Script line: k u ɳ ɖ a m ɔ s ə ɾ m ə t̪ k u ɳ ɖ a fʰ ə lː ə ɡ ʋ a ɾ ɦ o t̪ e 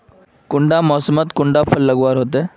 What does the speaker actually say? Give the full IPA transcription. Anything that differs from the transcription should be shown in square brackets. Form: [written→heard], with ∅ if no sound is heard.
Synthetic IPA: k u ɳ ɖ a m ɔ s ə [ɾ→∅] m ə t̪ k u ɳ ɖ a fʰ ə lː ə ɡ ʋ a ɾ ɦ o t̪ e